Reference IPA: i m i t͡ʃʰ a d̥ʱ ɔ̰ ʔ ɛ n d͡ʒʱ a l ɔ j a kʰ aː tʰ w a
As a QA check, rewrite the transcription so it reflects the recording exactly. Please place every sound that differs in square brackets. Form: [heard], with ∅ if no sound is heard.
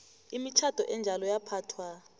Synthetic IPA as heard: i m i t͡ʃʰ a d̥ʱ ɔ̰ ʔ ɛ n d͡ʒʱ a l ɔ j a [pʰ] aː tʰ w a

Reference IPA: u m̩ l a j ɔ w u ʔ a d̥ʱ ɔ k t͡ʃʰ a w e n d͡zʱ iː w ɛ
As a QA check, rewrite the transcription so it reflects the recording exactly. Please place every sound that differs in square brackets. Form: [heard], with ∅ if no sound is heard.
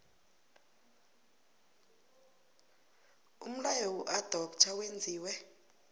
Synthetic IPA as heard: u m̩ l a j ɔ w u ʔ a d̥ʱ ɔ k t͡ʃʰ a w e n d͡zʱ iː w ɛ

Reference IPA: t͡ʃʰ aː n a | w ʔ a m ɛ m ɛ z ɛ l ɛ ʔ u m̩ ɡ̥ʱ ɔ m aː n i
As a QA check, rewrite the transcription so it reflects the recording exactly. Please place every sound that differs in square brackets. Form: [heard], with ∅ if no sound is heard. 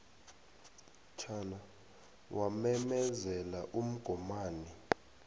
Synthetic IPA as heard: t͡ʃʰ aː n a | w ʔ a m ɛ m ɛ z ɛ l [a] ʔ u m̩ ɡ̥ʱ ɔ m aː n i

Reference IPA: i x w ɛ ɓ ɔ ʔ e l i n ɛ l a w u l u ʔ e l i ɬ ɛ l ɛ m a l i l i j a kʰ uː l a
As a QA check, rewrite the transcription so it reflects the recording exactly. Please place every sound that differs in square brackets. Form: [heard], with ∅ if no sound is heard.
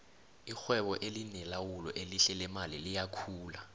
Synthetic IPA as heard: i x w ɛ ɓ ɔ ʔ e l i n ɛ l a w u l [ɔ] ʔ e l i ɬ ɛ l ɛ m a l i l i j a kʰ uː l a

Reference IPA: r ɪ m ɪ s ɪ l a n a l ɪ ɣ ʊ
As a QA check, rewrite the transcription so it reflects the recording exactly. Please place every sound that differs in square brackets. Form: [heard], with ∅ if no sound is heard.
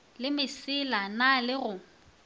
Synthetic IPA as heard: [l] ɪ m ɪ s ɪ l a n a l ɪ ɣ ʊ

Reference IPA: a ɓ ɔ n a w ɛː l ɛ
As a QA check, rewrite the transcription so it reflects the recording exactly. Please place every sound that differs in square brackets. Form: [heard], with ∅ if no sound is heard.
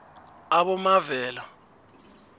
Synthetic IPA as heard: a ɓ ɔ [m] a [v] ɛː l [a]

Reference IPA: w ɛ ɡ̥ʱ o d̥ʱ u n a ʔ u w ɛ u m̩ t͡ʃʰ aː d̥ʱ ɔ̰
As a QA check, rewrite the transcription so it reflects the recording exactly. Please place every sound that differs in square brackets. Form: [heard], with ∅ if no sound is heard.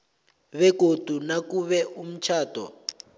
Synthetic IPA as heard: [β] ɛ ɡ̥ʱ o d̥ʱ u n a [k] u [β] ɛ u m̩ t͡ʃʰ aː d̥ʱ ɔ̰

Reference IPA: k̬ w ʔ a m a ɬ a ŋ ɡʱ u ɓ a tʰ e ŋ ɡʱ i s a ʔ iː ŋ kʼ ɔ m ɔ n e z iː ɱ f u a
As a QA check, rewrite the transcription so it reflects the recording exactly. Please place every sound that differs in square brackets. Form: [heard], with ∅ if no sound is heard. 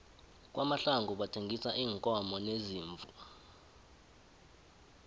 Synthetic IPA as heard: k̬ w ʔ a m a ɬ a ŋ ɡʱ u ɓ a tʰ e ŋ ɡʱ i s a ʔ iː ŋ kʼ ɔ m ɔ n e z iː ɱ [v] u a

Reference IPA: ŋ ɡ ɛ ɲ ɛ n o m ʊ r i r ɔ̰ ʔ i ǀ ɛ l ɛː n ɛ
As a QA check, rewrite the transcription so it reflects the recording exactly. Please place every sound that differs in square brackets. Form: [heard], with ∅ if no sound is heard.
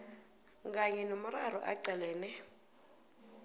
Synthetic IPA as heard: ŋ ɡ [a] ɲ ɛ n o m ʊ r [a] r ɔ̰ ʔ [a] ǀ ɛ l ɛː n ɛ

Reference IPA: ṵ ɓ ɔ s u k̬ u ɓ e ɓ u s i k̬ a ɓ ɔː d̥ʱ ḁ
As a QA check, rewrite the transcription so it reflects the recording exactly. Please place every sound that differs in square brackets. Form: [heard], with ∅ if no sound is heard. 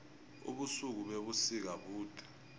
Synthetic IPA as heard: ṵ ɓ [u] s u k̬ u ɓ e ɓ u s i k̬ a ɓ [uː] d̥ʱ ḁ

